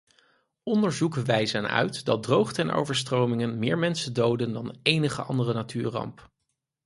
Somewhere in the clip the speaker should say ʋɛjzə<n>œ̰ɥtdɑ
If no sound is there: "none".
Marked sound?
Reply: n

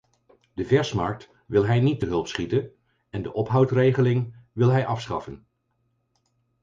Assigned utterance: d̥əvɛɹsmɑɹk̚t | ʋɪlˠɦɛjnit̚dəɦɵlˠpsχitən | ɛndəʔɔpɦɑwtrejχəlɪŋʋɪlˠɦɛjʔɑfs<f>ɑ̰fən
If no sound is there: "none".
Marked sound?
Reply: χ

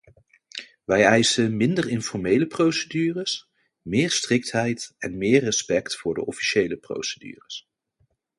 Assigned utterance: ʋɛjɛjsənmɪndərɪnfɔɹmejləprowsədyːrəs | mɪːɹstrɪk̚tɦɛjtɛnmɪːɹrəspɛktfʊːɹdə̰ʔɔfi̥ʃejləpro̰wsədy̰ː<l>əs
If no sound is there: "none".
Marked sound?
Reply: r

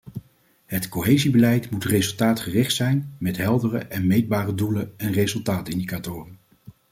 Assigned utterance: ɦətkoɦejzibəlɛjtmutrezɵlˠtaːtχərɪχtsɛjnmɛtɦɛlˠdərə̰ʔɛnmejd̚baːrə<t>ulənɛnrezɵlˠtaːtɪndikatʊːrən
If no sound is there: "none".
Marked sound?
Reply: d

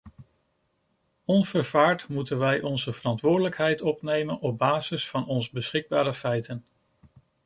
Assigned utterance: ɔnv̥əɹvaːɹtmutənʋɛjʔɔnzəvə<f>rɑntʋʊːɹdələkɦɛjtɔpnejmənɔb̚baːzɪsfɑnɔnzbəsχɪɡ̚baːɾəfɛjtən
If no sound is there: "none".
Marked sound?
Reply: none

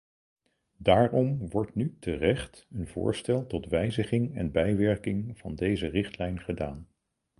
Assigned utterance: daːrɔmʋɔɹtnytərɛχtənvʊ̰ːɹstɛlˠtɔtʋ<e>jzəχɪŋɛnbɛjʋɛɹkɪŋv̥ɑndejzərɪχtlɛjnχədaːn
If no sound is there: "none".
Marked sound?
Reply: ɛ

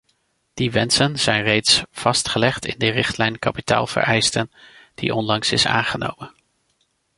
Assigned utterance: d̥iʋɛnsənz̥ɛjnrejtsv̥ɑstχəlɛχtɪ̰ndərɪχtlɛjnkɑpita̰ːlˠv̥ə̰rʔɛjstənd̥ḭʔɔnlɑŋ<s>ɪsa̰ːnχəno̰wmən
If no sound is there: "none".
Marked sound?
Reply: s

